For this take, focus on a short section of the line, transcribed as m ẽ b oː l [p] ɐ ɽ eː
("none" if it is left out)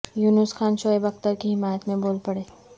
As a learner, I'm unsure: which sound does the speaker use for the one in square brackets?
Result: p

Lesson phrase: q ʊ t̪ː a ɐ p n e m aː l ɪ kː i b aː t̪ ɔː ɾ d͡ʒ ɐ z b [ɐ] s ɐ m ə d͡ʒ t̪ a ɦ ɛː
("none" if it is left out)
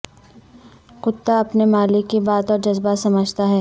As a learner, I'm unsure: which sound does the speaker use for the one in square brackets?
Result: a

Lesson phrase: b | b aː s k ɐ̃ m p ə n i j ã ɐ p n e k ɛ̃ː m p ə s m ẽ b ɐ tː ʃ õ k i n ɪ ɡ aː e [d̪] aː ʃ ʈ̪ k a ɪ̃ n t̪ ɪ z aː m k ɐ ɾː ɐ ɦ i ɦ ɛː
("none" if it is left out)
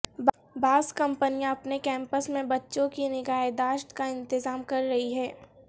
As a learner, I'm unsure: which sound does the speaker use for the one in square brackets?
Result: d̪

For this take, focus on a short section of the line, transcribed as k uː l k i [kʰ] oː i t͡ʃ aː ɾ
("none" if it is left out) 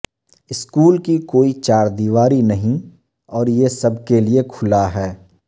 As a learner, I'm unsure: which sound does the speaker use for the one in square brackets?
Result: k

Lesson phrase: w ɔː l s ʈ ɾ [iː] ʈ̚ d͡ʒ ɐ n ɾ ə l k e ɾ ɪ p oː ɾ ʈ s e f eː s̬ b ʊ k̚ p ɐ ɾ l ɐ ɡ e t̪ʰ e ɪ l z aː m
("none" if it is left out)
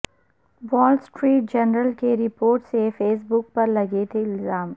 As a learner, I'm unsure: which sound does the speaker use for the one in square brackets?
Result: iː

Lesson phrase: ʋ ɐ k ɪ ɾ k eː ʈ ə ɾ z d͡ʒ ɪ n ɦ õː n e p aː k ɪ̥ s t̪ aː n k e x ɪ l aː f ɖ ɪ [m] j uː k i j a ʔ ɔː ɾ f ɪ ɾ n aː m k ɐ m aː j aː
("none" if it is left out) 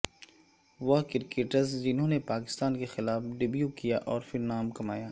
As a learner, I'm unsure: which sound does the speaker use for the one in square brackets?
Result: b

